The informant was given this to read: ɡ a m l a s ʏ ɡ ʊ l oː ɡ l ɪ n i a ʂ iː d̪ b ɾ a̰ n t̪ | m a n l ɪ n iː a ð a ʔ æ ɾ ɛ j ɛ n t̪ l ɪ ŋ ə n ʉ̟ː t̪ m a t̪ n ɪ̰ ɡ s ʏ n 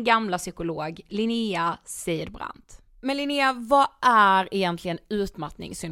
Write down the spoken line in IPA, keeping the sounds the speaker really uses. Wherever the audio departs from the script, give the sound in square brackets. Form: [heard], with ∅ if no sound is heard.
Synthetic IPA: ɡ a m l a s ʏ [k] ʊ l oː ɡ l ɪ n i a [s] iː d̪ b ɾ a̰ n t̪ | m [ɛ] n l ɪ n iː a [v] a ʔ æ ɾ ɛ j ɛ n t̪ l ɪ [ɡ] ə n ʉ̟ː t̪ m a t̪ n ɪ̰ [ŋ] s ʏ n